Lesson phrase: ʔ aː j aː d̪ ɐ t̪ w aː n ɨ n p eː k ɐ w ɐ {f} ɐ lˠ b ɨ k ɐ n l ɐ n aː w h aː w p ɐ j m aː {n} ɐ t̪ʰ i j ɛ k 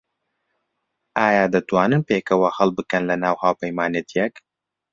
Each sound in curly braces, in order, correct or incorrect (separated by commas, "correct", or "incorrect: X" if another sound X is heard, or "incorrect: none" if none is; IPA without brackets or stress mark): incorrect: h, correct